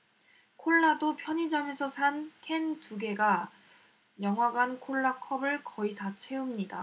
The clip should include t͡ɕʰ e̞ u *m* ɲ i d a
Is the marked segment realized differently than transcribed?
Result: no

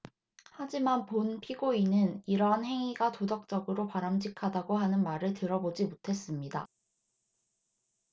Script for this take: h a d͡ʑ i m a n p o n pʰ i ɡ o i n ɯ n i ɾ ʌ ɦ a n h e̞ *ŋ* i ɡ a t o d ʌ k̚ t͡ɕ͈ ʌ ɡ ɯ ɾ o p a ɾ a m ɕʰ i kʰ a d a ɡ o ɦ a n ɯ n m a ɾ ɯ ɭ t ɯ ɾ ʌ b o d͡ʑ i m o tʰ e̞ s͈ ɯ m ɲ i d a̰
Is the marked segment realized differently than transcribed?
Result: no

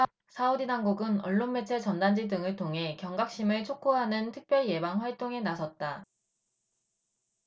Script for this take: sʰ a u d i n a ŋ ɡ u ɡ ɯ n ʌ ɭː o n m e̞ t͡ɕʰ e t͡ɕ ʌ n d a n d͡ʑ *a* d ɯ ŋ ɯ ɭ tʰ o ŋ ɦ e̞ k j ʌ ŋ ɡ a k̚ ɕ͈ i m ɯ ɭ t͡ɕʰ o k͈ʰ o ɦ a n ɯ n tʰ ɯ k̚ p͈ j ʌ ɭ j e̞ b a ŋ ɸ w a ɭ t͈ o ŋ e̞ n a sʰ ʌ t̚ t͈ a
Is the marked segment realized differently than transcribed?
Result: yes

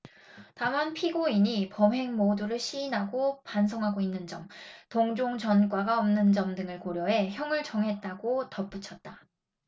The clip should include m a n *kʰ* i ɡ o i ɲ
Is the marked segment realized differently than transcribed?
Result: yes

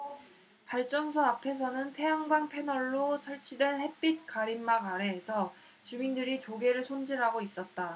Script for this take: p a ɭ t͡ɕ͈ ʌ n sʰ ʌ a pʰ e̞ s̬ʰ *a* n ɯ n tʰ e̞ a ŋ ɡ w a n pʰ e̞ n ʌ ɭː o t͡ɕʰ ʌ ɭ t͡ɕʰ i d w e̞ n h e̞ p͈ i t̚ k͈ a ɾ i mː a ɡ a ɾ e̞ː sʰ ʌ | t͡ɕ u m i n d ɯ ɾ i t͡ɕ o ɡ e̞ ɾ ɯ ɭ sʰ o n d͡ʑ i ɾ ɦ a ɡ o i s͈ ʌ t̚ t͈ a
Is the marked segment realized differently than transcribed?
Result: yes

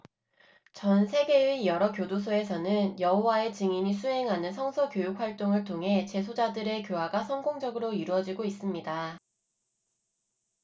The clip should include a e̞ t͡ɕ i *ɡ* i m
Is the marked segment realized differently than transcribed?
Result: yes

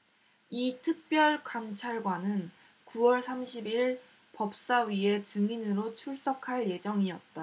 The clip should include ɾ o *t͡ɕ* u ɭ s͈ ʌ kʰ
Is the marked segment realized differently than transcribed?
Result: yes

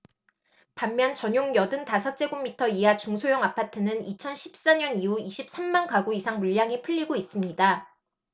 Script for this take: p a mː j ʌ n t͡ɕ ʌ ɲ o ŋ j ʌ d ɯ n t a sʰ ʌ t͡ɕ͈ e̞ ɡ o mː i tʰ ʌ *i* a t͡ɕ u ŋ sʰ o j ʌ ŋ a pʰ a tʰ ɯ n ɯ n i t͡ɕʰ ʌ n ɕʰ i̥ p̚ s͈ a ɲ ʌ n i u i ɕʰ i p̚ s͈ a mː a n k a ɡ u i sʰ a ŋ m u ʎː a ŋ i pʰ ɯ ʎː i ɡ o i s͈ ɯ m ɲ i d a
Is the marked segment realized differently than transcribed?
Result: no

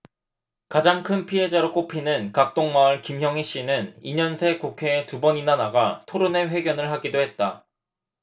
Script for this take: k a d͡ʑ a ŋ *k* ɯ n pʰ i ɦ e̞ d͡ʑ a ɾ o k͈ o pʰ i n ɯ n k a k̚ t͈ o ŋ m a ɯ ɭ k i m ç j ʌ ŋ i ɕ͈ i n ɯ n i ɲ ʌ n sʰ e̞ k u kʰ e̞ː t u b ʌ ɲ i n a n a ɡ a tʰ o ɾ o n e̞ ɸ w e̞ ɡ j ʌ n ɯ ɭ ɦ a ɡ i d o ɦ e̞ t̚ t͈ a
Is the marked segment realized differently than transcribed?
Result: yes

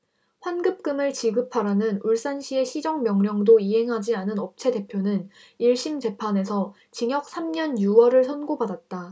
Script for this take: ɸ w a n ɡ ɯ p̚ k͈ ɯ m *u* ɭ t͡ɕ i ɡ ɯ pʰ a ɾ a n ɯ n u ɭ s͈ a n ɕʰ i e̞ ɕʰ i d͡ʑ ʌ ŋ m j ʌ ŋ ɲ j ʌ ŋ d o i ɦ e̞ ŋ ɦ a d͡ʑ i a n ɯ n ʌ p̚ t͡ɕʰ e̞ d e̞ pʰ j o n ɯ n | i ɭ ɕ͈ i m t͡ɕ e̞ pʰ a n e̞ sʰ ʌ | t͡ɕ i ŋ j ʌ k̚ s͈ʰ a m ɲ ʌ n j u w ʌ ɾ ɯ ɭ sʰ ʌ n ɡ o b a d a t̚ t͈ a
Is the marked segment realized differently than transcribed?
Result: yes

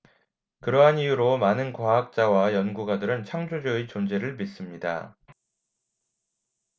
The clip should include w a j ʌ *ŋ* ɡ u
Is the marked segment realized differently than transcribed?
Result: yes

